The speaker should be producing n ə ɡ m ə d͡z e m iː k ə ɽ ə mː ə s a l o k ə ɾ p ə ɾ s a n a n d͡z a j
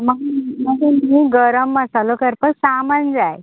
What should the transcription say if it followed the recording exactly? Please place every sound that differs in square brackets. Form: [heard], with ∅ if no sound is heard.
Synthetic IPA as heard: [m] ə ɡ m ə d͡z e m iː [ɡ] ə [ɾ] ə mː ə s a l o k ə ɾ p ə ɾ s a [m] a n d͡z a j